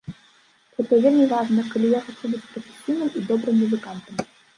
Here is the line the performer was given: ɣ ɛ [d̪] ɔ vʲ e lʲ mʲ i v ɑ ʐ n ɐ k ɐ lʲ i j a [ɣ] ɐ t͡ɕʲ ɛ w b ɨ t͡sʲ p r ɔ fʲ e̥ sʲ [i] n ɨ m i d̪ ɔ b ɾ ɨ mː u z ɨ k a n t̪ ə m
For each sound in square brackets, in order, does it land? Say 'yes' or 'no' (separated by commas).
no, no, yes